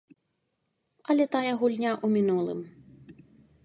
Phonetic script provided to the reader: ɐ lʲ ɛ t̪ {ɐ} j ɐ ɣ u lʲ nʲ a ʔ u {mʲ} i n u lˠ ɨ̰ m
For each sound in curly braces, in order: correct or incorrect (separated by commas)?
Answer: incorrect, correct